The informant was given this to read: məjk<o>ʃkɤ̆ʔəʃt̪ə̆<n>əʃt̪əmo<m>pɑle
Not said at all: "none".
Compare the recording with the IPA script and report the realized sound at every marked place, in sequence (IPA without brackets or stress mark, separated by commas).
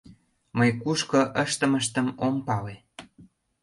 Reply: u, m, m